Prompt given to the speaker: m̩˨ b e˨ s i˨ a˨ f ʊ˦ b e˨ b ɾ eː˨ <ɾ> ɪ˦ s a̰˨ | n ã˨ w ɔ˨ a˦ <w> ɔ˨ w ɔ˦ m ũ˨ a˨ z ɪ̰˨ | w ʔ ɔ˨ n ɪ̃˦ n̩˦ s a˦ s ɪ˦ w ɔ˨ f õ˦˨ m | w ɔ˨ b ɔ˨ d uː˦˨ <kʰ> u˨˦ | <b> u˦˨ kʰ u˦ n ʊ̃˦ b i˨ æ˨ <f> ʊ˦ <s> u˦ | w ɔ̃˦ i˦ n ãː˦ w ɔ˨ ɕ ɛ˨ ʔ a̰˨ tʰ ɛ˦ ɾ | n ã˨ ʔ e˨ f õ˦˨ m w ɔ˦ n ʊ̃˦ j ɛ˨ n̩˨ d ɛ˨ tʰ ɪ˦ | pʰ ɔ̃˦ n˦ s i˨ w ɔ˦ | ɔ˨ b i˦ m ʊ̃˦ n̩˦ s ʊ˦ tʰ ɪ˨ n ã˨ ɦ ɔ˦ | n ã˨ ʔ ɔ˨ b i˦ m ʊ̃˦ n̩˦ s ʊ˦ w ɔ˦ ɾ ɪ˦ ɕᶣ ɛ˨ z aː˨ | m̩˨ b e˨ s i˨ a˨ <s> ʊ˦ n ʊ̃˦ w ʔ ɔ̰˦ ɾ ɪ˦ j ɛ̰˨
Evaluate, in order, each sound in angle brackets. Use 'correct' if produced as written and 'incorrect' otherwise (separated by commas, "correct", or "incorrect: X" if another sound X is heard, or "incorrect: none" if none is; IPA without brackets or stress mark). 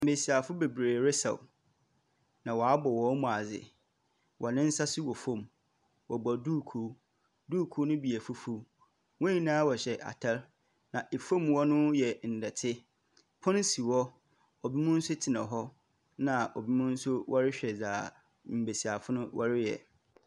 correct, incorrect: b, correct, incorrect: d, correct, incorrect: f, incorrect: f